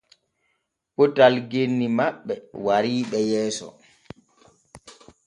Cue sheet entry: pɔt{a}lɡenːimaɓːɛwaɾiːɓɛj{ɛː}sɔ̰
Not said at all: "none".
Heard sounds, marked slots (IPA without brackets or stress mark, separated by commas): a, ɛː